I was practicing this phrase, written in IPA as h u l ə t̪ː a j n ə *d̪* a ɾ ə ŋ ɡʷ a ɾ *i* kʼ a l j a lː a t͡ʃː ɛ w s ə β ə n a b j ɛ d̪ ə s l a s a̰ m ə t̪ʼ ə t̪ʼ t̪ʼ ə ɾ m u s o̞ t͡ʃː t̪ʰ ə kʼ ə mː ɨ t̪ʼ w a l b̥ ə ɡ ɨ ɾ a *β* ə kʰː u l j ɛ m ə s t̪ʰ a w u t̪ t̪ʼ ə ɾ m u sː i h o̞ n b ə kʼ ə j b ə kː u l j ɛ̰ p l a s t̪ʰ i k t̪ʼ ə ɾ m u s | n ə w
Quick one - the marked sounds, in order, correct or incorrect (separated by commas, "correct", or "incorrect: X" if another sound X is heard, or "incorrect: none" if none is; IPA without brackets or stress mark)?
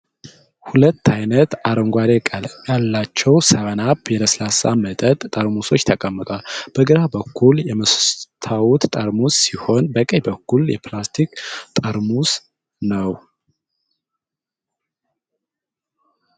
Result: incorrect: t̪, incorrect: e, incorrect: b